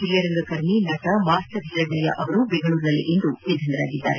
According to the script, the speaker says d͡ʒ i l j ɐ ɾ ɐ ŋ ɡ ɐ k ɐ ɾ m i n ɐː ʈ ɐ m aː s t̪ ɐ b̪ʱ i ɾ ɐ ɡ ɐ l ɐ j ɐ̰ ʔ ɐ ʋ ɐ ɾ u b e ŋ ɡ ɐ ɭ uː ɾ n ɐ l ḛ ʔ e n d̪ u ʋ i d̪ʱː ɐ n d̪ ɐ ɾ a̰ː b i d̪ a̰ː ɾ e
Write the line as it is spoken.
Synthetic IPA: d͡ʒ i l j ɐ ɾ ɐ ŋ ɡ ɐ k ɐ ɾ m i n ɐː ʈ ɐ m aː s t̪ ɐ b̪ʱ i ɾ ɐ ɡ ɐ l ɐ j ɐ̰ ʔ ɐ ʋ ɐ ɾ u b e ŋ ɡ ɐ ɭ uː ɾ n ɐ l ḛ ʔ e n d̪ u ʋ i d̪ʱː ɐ n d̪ ɐ ɾ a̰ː ɡ i d̪ː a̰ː ɾ e